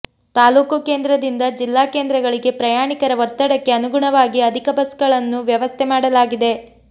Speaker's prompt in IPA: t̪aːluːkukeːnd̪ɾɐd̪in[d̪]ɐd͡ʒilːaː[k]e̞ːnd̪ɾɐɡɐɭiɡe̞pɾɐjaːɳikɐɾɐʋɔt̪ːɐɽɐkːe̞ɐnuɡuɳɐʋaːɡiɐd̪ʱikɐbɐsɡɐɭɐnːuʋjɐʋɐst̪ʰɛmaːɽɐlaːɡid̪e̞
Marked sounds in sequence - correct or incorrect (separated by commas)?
correct, correct